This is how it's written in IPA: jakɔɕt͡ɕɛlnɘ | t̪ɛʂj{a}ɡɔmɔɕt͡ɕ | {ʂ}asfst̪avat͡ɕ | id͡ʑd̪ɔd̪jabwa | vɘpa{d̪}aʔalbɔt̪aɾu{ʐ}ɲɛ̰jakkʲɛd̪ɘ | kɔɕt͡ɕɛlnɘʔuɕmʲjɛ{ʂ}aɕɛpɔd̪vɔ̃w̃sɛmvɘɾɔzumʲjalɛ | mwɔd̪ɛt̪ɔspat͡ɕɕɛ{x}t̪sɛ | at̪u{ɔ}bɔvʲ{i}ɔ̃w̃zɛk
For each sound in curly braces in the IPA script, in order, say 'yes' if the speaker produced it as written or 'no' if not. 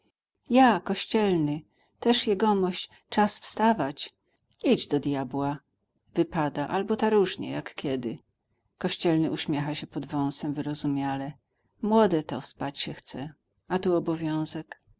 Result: no, no, yes, yes, no, yes, yes, no

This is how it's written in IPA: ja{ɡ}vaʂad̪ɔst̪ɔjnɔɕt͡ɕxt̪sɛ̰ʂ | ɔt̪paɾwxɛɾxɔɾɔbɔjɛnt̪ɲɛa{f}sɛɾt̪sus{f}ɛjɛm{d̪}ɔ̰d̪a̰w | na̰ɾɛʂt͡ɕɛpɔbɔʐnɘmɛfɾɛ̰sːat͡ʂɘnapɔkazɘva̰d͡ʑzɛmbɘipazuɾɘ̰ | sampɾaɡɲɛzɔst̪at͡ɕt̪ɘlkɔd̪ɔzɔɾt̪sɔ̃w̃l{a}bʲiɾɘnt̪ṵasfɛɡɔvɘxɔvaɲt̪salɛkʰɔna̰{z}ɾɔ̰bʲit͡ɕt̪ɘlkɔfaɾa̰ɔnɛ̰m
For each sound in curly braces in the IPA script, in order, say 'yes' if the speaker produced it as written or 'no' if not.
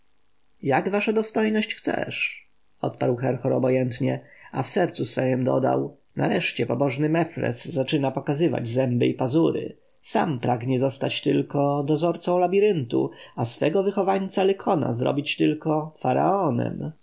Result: yes, yes, yes, yes, yes, yes

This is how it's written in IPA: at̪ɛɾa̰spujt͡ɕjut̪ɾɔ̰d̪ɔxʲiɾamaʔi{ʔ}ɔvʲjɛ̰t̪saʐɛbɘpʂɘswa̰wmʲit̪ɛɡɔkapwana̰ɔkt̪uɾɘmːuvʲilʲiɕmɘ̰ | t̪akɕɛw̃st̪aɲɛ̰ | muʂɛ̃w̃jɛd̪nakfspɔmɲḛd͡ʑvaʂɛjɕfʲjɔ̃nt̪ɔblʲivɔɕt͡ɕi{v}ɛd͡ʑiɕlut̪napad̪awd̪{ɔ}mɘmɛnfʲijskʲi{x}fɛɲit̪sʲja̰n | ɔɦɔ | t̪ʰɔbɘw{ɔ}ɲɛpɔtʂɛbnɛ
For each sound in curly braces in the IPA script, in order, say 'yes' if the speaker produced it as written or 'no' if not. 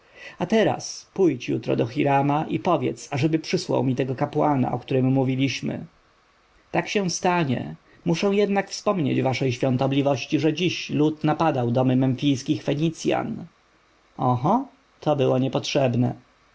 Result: no, no, yes, yes, yes

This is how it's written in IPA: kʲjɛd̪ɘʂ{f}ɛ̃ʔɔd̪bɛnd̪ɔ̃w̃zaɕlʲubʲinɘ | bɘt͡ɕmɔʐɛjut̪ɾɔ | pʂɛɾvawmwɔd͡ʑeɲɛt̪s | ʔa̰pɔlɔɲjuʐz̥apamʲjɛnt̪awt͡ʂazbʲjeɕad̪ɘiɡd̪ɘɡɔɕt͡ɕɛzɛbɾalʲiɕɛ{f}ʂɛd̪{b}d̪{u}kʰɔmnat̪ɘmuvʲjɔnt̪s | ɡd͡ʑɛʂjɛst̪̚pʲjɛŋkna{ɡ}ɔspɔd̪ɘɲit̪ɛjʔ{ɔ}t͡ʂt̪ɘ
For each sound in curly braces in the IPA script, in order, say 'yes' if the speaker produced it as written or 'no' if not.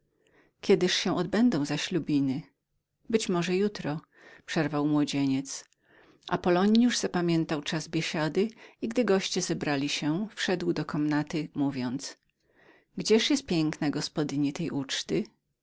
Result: no, yes, no, no, yes, no

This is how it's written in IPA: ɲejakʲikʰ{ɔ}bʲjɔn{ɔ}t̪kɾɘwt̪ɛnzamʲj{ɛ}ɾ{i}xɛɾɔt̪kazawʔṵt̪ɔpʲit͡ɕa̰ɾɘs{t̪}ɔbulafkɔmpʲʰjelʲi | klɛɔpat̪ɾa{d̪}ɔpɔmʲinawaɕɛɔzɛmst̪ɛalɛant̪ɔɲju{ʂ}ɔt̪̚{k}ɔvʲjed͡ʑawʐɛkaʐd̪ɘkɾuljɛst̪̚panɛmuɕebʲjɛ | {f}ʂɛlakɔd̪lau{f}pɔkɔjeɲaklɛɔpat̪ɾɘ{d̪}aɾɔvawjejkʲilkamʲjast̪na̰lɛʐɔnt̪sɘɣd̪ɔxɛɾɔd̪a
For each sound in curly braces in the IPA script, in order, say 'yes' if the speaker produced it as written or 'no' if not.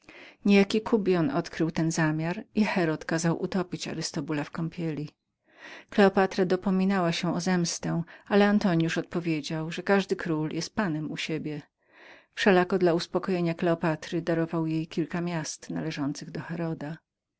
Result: no, yes, no, yes, yes, yes, yes, no, yes, no, yes

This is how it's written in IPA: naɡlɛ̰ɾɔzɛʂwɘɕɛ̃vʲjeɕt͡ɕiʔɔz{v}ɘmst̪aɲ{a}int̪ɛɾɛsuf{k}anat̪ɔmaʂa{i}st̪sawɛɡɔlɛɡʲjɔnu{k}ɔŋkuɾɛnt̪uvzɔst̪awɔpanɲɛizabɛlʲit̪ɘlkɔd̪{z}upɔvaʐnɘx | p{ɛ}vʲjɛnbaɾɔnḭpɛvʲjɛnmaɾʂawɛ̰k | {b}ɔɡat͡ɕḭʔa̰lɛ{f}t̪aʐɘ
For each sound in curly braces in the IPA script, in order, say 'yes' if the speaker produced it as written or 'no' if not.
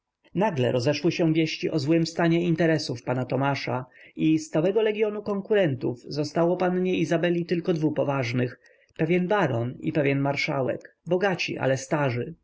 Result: no, no, no, yes, yes, no, yes, yes, no

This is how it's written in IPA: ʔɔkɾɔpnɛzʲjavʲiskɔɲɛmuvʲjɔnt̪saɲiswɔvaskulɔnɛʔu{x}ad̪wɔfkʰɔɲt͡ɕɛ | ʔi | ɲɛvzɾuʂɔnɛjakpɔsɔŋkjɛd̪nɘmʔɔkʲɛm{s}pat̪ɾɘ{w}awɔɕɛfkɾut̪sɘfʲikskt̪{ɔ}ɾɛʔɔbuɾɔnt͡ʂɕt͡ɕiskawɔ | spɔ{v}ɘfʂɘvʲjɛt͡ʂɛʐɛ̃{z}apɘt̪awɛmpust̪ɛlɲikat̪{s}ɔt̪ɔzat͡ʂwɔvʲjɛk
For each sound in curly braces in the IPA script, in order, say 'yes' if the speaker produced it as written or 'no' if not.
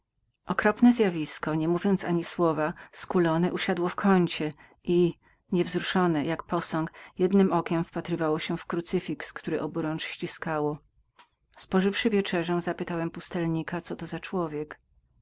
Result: no, no, no, no, no, yes, yes

